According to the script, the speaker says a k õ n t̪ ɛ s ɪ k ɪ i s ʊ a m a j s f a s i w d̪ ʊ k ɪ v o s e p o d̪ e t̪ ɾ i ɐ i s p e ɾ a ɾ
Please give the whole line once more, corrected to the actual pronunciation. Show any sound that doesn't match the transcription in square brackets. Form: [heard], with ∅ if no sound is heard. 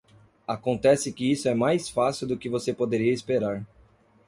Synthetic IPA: a k õ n t̪ ɛ s ɪ k ɪ i s ʊ [ɛ] m a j s f a s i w d̪ ʊ k ɪ v o s e p o d̪ e [∅] ɾ i ɐ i s p e ɾ a ɾ